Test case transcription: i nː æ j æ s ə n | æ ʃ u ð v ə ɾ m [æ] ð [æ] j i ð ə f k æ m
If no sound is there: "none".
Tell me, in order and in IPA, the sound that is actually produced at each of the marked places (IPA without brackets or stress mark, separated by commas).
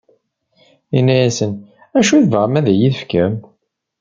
æ, æ